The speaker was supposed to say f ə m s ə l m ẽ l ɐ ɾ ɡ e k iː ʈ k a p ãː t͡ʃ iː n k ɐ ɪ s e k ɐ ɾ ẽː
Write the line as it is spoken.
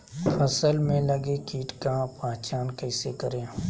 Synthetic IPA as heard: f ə s ə l m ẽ l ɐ ɡ e k iː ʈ k a p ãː t͡ʃ aː n k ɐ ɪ s e k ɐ ɾ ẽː